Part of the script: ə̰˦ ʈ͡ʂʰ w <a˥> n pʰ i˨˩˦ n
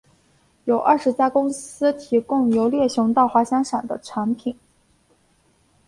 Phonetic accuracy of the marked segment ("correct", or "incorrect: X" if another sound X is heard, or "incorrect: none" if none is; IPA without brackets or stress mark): incorrect: a˧˥